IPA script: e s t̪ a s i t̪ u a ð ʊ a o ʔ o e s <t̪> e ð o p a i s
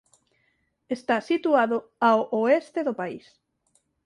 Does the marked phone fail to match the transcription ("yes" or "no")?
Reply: no